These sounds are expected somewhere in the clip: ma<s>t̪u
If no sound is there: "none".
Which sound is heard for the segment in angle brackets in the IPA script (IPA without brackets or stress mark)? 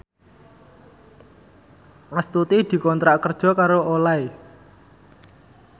s